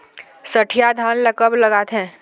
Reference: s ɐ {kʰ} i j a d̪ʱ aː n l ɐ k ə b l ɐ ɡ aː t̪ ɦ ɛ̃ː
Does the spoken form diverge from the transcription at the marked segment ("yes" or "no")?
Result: yes